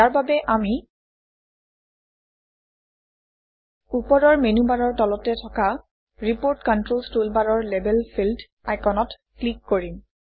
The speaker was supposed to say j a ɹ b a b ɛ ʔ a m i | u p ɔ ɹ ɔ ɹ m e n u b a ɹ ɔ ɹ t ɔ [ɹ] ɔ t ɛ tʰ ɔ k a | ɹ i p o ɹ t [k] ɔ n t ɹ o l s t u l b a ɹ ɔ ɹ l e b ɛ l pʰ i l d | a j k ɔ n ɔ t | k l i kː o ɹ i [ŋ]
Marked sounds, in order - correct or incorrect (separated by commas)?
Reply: incorrect, correct, incorrect